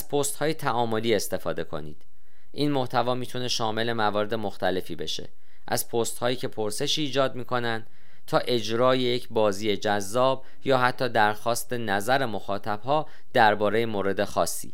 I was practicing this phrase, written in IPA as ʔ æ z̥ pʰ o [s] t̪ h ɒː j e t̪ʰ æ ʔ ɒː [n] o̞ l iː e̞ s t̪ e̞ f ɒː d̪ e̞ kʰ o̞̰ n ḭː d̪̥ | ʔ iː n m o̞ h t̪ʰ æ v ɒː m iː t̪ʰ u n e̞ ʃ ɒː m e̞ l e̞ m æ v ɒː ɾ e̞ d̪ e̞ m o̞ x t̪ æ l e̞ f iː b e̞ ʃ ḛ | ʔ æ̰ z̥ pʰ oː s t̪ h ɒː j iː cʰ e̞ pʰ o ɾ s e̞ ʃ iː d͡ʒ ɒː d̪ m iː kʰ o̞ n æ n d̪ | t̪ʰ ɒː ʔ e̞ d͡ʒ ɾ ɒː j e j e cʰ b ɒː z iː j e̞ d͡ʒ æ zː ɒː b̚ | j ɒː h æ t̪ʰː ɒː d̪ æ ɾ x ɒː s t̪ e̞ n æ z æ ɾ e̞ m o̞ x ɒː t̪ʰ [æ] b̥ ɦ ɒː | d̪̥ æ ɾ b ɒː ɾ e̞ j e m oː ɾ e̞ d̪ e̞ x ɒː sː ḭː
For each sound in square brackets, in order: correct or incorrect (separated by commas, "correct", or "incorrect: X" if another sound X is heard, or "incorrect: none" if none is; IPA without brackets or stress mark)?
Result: correct, incorrect: m, correct